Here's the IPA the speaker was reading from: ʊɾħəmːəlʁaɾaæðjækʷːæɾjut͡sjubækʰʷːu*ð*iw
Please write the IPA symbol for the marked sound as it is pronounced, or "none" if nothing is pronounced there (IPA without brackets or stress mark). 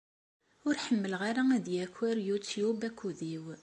ð